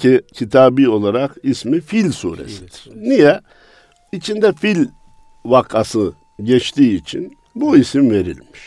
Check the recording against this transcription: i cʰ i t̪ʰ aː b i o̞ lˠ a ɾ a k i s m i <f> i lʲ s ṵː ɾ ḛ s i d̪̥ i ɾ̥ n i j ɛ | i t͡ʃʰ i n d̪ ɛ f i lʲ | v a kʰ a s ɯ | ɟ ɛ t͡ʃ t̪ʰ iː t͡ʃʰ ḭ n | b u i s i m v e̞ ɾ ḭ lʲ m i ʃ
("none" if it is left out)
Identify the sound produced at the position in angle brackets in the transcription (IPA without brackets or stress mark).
f